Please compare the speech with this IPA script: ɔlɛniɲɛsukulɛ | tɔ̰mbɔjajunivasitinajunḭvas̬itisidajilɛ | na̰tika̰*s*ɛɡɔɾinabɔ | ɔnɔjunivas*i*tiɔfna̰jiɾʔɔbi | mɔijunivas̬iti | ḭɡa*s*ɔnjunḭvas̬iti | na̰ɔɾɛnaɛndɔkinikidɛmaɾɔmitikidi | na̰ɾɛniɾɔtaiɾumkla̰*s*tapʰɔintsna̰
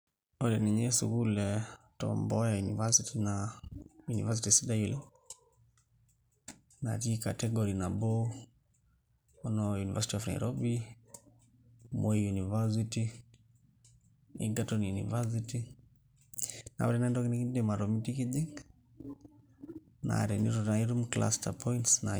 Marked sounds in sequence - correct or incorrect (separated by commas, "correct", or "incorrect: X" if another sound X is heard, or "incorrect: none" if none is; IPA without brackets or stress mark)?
incorrect: t, correct, incorrect: t, correct